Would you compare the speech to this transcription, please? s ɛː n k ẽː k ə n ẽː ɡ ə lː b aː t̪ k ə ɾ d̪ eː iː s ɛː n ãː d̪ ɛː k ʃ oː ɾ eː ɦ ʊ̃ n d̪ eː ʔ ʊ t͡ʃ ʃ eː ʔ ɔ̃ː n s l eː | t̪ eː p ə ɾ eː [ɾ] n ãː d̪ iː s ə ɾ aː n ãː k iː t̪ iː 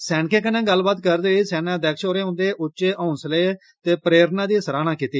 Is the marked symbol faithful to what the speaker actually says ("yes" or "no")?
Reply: yes